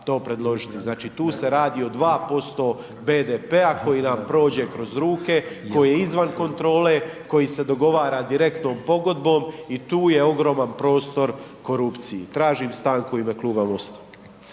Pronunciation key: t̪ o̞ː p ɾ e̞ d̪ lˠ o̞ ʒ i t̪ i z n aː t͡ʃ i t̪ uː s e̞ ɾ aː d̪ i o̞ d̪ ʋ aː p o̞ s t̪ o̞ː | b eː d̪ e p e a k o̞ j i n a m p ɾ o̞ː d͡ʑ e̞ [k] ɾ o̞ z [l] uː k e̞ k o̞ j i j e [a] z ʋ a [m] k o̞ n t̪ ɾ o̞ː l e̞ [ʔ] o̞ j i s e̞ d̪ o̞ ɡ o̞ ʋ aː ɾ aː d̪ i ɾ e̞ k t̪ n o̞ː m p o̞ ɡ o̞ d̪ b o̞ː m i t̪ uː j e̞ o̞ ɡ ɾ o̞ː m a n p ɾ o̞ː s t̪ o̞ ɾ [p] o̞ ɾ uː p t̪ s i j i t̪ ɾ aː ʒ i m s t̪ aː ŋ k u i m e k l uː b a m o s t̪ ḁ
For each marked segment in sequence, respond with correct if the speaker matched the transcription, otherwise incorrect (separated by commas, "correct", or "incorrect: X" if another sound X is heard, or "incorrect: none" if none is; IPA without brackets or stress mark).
correct, incorrect: ɾ, incorrect: i, incorrect: n, incorrect: k, incorrect: k